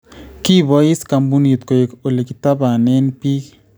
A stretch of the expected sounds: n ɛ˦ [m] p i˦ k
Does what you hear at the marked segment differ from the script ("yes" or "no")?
yes